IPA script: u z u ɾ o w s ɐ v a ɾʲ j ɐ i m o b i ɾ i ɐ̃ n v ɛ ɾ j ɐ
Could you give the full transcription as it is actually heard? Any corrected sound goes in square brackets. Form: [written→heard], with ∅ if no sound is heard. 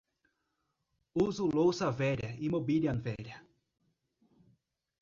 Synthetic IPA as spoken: u z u [ɾ→l] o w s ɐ v [a→ɛ] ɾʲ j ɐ i m o b i [ɾ→l] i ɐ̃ n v ɛ ɾ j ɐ